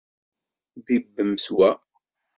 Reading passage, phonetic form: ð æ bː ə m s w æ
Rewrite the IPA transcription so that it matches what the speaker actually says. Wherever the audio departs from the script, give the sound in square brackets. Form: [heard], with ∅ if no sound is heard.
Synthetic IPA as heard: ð [i] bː ə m s w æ